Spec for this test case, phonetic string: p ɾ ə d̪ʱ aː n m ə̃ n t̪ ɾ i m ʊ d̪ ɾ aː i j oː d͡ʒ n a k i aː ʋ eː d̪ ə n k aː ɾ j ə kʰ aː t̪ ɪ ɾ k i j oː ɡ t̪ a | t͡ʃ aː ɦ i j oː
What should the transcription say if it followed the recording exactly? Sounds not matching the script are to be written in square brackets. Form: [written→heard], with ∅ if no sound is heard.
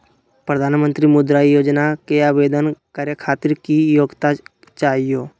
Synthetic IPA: p ɾ ə d̪ʱ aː n m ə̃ n t̪ ɾ i m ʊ d̪ ɾ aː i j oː d͡ʒ n a k [i→e] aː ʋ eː d̪ ə n k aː ɾ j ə kʰ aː t̪ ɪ ɾ k i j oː ɡ t̪ a | t͡ʃ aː ɦ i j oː

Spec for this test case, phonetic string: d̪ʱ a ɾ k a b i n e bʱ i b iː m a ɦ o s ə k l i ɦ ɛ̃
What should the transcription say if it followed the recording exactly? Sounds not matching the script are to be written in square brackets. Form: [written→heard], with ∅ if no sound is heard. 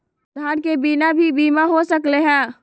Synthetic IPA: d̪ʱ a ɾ k [a→e] b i n [e→a] bʱ i b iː m a ɦ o s ə k l [i→e] ɦ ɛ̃

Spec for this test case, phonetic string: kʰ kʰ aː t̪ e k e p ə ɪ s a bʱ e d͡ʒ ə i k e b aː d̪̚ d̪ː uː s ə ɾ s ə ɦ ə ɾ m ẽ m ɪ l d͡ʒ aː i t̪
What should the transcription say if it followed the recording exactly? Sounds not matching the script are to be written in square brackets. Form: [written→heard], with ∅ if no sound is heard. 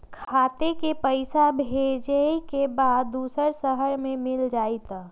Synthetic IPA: kʰ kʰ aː t̪ e k e p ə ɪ s a bʱ e d͡ʒ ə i k e b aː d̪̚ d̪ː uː s ə ɾ s ə ɦ ə ɾ m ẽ m ɪ l d͡ʒ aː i t̪

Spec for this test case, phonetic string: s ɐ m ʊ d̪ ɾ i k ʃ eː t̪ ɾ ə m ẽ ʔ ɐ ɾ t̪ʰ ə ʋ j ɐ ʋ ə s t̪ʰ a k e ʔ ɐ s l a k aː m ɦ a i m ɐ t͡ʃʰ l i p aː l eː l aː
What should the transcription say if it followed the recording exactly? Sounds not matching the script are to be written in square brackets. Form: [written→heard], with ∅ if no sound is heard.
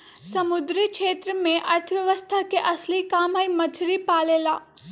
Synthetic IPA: s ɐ m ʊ d̪ ɾ i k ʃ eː t̪ ɾ ə m ẽ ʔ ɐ ɾ t̪ʰ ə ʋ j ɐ ʋ ə s t̪ʰ a k e ʔ ɐ s l [a→i] k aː m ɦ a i m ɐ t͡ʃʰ [l→ɾ] i p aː l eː l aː

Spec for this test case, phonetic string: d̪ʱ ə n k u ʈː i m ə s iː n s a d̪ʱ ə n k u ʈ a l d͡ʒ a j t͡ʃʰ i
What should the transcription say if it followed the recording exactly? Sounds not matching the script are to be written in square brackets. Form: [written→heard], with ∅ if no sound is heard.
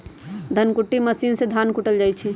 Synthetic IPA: d̪ʱ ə n k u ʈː i m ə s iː n s [a→e] d̪ʱ [ə→a] n k u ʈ [a→ə] l d͡ʒ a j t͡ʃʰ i

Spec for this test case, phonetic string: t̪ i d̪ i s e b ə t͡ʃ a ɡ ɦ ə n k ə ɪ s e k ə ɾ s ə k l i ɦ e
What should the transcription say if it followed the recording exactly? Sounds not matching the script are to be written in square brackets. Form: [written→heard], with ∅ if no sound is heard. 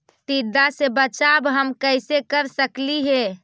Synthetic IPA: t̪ i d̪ [i→a] s e b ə t͡ʃ a [ɡ→b] ɦ ə [n→m] k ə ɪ s e k ə ɾ s ə k l i ɦ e

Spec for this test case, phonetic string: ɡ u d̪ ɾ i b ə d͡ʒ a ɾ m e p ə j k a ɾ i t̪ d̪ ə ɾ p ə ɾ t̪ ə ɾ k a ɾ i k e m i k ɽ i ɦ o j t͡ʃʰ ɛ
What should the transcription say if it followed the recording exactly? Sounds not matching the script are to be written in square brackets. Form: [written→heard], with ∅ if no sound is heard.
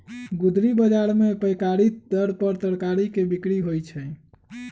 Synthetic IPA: ɡ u d̪ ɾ i b ə d͡ʒ a ɾ m e p ə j k a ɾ i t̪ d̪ ə ɾ p ə ɾ t̪ ə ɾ k a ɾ i k e [m→b] i k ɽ i ɦ o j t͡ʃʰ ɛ

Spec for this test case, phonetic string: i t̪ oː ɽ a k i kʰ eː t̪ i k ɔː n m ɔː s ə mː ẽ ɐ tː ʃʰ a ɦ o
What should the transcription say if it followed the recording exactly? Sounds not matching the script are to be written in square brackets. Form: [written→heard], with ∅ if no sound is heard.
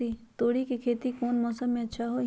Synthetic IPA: i t̪ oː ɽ [a→i] k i kʰ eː t̪ i k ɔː n m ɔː s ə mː ẽ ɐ tː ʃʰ a ɦ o

